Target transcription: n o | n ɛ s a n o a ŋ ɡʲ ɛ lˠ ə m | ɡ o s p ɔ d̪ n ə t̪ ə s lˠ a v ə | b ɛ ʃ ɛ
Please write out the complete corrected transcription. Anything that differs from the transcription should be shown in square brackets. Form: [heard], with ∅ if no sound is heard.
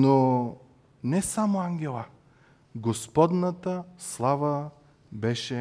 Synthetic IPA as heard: n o | n ɛ s a [m] o a ŋ ɡʲ ɛ lˠ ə [∅] | ɡ o s p ɔ d̪ n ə t̪ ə s lˠ a v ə | b ɛ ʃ ɛ